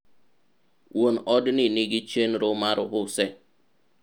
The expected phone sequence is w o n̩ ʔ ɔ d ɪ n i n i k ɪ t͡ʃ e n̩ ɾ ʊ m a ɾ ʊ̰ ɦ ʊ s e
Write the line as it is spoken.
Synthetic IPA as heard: w o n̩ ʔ ɔ d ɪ n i n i ɡ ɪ t͡ʃ e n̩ ɾ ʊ m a ɾ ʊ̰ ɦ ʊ s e